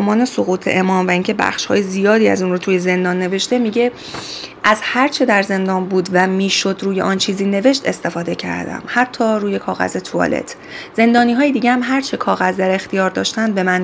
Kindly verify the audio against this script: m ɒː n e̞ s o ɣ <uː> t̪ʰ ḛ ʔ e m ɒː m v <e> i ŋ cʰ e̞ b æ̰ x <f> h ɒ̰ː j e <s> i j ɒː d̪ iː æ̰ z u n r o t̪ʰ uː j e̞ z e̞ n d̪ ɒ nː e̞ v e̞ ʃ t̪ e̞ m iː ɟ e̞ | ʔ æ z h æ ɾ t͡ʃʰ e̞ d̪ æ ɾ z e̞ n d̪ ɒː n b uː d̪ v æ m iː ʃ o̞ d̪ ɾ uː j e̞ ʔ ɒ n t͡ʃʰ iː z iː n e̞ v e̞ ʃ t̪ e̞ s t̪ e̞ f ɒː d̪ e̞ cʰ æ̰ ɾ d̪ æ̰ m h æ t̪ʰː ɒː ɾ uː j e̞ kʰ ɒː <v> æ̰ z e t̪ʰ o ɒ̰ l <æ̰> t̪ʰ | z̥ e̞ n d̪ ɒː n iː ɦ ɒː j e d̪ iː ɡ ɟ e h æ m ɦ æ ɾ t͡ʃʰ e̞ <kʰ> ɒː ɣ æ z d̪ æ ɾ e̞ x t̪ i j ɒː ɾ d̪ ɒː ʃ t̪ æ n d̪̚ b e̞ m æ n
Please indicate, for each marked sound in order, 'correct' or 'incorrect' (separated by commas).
correct, incorrect, incorrect, incorrect, incorrect, incorrect, correct